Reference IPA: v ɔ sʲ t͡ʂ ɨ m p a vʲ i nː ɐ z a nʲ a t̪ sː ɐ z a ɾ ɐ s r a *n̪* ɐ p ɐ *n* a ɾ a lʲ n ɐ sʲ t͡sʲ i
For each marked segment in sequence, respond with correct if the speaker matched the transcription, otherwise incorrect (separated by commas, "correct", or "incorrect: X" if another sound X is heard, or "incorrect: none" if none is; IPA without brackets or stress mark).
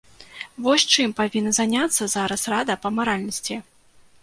incorrect: d̪, incorrect: m